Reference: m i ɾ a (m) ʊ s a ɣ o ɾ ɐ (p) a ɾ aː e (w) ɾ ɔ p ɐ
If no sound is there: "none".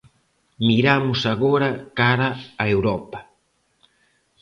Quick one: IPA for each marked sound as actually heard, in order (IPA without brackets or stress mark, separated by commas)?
m, k, w